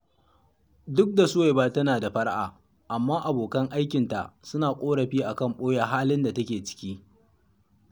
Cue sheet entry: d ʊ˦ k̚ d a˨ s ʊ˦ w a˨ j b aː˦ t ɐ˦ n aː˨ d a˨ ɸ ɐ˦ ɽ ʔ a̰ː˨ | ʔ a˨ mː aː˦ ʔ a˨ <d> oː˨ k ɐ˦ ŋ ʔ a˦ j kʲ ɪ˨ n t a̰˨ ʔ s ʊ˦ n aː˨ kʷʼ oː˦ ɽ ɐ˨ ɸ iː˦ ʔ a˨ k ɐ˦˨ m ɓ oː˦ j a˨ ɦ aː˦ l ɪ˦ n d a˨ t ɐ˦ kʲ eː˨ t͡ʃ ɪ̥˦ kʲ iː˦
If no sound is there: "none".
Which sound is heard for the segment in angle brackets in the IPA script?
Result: b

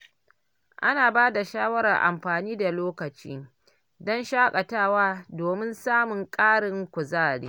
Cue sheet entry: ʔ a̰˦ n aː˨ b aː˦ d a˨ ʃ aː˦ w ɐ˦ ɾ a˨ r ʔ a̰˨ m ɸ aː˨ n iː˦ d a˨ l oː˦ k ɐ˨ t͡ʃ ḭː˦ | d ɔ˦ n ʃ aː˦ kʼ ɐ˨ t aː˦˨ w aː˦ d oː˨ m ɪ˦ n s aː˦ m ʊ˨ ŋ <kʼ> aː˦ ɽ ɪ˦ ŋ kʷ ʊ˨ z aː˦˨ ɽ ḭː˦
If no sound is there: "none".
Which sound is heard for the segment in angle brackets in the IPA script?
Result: kʼ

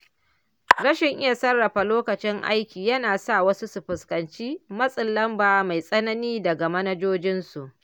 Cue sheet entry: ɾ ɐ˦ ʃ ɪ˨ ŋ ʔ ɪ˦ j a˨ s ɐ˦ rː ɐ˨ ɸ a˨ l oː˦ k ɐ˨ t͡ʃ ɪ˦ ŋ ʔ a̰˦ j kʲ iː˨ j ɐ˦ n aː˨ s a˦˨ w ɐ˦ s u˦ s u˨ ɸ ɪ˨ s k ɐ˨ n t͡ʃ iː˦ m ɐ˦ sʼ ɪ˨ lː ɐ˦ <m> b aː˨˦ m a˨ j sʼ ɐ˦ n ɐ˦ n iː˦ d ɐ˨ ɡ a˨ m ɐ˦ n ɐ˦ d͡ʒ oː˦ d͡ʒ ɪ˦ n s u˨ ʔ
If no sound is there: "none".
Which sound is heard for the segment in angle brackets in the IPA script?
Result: m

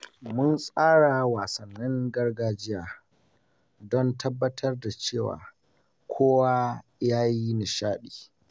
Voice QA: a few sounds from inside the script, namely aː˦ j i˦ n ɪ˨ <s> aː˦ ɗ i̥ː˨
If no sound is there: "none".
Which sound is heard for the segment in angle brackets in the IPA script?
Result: ʃ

